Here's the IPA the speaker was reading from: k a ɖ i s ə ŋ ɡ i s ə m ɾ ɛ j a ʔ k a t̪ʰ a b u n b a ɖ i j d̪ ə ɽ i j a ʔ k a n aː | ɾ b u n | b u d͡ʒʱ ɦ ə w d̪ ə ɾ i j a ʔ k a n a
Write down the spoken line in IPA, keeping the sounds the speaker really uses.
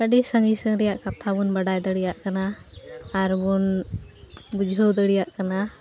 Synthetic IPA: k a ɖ i s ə ŋ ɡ i s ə ŋ ɾ ɛ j a ʔ k a t̪ʰ a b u n b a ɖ a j d̪ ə ɽ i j a ʔ k a n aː | ɾ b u n | b u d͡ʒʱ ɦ ə w d̪ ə ɽ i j a ʔ k a n a